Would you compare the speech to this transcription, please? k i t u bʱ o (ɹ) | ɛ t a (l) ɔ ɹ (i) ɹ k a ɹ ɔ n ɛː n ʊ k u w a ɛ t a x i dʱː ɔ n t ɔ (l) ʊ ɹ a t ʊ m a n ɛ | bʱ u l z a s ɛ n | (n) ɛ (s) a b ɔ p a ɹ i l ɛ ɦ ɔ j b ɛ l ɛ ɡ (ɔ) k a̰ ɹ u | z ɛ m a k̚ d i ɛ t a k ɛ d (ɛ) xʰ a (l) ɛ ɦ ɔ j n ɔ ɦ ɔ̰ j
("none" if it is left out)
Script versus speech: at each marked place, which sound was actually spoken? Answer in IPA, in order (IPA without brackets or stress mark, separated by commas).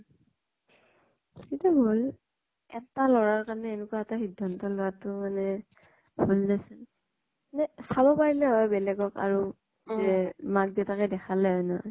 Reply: l, l, a, l, n, s, ɔ, ɛ, l